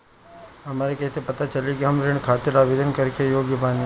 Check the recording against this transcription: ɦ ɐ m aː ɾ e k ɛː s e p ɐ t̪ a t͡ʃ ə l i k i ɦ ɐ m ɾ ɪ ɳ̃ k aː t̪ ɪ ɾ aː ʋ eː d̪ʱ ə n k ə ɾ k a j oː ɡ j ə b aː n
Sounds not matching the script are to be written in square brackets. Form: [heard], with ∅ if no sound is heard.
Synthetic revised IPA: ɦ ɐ m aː ɾ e k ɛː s e p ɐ t̪ a t͡ʃ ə l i k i ɦ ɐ m ɾ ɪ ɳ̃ [kʰ] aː t̪ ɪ ɾ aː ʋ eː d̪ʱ ə n k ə ɾ k [e] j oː ɡ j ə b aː n